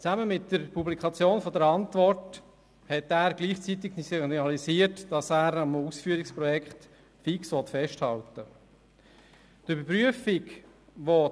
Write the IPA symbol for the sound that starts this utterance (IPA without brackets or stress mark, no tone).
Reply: t͡s